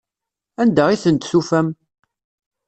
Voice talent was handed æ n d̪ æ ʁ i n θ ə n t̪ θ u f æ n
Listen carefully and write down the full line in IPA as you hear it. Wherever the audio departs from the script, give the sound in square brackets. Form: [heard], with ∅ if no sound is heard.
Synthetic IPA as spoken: æ n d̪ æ ʁ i [∅] θ ə n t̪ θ u f æ [m]